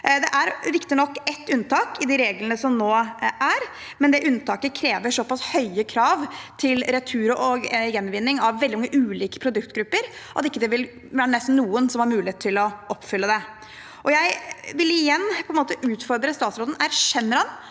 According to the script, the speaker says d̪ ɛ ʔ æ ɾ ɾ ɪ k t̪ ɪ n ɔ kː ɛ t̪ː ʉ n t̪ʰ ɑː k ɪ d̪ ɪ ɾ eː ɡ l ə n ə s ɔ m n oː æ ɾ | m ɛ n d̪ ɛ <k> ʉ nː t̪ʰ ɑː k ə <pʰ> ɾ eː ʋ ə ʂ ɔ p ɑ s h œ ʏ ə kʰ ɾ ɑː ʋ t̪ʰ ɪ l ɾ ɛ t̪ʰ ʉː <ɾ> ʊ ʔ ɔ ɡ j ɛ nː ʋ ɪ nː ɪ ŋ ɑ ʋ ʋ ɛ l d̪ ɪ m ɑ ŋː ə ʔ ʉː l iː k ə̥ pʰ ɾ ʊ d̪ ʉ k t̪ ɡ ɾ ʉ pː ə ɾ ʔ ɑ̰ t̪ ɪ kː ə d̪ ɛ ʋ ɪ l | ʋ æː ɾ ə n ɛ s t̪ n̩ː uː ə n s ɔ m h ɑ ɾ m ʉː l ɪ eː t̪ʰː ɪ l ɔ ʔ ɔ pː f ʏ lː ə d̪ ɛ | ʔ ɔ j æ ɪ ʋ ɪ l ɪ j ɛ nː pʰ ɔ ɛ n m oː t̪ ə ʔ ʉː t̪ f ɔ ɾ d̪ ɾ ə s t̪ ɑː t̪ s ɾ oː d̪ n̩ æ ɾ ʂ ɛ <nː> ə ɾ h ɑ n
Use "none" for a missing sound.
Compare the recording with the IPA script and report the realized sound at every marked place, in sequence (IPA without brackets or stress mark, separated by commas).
ʔ, kʰ, ɾ, nː